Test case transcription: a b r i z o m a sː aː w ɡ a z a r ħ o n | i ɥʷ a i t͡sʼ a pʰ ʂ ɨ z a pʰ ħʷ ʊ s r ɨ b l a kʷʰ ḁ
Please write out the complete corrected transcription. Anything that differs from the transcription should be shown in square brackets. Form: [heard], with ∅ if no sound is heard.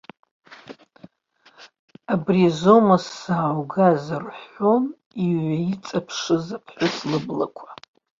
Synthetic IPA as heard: a b r i z o m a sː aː w ɡ a z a r ħ o n | i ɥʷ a i t͡sʼ a pʰ ʂ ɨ z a pʰ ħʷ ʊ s [l] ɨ b l a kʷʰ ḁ